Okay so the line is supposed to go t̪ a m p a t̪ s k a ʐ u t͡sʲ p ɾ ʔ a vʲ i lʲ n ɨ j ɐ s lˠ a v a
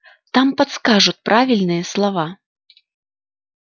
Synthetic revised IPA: t̪ a m p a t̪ s k a ʐ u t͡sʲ p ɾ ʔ a vʲ i lʲ n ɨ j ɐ s lˠ a v a